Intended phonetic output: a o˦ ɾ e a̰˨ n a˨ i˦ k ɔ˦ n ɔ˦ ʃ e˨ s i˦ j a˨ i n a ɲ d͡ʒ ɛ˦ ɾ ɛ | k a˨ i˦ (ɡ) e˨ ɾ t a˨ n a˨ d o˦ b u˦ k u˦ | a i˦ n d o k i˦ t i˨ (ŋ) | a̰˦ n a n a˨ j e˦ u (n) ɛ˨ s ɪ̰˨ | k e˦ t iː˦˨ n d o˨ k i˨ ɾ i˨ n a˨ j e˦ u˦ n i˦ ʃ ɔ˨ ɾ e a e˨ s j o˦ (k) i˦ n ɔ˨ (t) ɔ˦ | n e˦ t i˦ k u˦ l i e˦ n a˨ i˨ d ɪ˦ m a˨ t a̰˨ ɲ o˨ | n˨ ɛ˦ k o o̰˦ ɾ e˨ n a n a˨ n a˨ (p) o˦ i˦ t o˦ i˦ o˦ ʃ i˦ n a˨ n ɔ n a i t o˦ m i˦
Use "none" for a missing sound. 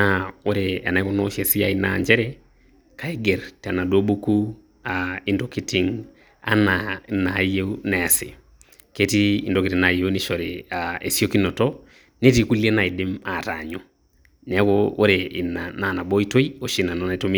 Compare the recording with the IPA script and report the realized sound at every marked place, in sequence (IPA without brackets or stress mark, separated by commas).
ɡ, ŋ, n, k, t, b